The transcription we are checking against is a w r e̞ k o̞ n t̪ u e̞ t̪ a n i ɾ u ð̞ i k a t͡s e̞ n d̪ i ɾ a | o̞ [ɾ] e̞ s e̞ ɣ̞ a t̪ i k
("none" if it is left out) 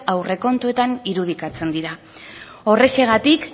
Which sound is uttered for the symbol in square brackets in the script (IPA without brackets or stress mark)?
r